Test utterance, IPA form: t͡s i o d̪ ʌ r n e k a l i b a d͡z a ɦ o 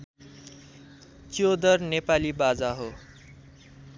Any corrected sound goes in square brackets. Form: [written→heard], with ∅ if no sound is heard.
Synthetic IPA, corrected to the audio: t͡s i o d̪ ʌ r n e [k→p] a l i b a d͡z a ɦ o